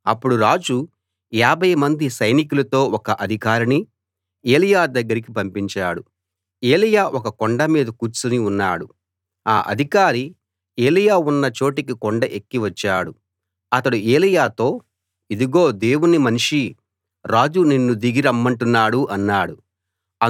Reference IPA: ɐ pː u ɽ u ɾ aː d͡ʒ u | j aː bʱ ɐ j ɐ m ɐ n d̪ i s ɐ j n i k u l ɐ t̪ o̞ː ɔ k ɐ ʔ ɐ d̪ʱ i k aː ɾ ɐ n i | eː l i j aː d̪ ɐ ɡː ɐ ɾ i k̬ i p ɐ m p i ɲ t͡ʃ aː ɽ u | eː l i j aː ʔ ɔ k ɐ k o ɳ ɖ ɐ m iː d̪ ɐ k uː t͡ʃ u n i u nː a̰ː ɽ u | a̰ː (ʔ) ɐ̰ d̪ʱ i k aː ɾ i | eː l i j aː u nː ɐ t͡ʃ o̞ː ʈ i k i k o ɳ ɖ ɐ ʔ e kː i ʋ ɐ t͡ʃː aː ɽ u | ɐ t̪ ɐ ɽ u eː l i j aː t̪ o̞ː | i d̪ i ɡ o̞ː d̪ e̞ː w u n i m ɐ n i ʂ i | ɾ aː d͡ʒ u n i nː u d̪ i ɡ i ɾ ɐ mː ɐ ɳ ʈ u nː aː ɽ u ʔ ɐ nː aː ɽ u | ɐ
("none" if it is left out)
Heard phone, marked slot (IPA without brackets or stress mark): ʔ